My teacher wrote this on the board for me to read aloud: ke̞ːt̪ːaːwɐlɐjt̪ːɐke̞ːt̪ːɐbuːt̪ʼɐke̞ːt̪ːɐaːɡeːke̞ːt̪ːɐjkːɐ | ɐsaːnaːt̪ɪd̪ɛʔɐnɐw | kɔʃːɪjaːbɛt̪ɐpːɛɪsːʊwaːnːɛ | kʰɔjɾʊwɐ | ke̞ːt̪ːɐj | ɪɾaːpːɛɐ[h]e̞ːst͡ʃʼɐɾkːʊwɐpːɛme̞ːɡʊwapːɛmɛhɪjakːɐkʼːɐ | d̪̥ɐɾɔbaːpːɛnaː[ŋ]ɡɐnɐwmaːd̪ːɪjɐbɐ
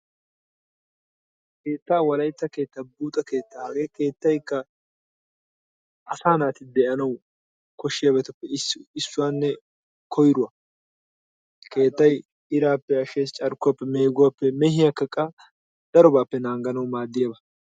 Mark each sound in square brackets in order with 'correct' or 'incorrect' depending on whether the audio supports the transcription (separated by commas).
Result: incorrect, correct